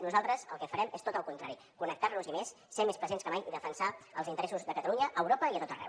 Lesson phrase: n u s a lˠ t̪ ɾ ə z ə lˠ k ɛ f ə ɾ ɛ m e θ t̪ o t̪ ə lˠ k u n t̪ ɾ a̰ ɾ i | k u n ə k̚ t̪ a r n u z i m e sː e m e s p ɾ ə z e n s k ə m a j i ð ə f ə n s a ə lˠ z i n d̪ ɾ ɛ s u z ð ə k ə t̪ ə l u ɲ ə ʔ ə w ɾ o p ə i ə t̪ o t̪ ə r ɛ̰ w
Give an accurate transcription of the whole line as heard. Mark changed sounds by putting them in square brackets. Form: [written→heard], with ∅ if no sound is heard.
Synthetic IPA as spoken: n u [s→z] a lˠ t̪ ɾ ə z ə lˠ k ɛ f ə ɾ ɛ m e [θ→s] t̪ o t̪ ə lˠ k u n t̪ ɾ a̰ ɾ i | k u n ə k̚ t̪ a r n u z i m e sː e m e s p ɾ ə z e n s k ə m a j i ð ə f ə n s a ə lˠ z i n [d̪→t̪] ɾ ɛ s u z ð ə k ə t̪ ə l u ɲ ə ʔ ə w ɾ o p ə i ə t̪ o t̪ ə r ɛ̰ w